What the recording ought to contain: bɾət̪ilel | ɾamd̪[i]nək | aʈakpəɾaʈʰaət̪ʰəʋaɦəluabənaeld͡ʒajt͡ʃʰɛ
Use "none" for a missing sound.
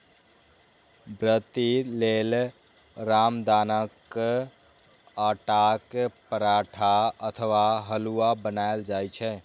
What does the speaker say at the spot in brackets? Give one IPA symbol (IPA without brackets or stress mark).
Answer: a